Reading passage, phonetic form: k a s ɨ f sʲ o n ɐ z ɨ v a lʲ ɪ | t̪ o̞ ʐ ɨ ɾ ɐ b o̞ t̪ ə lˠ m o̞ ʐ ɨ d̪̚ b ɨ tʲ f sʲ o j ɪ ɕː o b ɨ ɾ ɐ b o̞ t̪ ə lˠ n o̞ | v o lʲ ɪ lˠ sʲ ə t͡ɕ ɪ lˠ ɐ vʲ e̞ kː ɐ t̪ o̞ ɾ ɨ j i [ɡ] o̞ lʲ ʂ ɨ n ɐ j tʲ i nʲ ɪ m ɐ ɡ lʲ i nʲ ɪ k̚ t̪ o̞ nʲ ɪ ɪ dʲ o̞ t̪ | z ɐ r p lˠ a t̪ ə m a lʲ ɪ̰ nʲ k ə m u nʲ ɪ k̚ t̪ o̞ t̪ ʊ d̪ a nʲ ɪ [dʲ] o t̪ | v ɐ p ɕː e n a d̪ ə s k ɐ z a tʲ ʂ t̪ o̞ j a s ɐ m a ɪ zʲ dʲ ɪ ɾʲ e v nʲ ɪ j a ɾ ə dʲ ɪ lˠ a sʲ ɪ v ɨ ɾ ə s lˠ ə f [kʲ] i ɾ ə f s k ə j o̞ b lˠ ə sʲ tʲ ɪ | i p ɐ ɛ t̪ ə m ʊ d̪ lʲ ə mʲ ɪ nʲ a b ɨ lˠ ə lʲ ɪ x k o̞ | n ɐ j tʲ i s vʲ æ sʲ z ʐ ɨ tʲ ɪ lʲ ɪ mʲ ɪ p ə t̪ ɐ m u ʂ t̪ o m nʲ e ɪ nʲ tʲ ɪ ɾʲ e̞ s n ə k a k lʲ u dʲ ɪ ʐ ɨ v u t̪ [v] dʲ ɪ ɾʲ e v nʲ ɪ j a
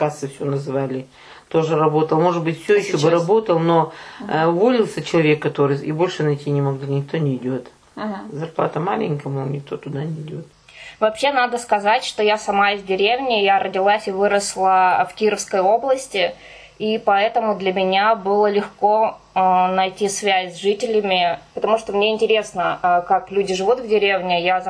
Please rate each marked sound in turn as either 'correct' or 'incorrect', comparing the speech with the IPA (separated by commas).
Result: incorrect, correct, correct, correct